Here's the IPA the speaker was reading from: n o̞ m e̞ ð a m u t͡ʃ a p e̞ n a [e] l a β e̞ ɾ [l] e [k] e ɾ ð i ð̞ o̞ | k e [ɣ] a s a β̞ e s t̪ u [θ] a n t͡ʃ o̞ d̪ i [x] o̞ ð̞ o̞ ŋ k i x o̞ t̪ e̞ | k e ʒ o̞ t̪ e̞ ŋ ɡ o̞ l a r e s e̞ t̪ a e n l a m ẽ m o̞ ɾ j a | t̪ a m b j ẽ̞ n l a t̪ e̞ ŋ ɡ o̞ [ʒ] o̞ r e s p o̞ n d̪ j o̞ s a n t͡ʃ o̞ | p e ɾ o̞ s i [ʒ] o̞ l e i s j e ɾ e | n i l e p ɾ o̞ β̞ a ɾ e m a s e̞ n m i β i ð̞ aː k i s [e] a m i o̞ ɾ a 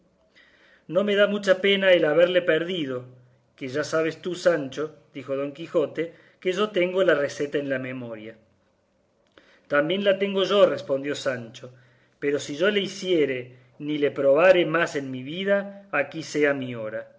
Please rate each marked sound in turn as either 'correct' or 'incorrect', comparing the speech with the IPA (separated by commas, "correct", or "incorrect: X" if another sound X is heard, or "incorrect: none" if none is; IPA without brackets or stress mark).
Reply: correct, correct, incorrect: p, incorrect: ʒ, incorrect: s, correct, correct, correct, correct